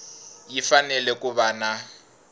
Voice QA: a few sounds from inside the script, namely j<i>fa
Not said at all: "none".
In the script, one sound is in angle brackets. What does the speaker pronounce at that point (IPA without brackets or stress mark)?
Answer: i